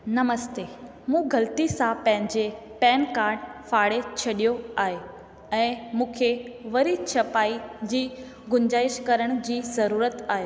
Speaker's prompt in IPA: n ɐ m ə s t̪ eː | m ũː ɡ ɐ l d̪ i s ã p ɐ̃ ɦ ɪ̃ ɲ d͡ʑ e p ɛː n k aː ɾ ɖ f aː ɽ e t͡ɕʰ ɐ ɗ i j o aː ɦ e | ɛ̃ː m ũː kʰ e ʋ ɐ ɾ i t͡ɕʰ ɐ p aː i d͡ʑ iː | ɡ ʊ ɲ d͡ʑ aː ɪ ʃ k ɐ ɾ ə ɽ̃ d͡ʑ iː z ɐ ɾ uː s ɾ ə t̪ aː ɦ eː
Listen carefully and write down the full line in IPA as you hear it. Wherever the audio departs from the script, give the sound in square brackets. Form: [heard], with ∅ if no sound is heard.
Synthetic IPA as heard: n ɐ m ə s t̪ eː | m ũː ɡ ɐ l [t̪] i s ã p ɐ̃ ɦ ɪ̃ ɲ d͡ʑ e p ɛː n k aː ɾ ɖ f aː ɽ e t͡ɕʰ ɐ ɗ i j o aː ɦ e | ɛ̃ː m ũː kʰ e ʋ ɐ ɾ i t͡ɕʰ ɐ p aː i d͡ʑ iː | ɡ ʊ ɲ d͡ʑ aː ɪ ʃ k ɐ ɾ ə ɽ̃ d͡ʑ iː z ɐ ɾ uː [∅] ɾ ə t̪ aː ɦ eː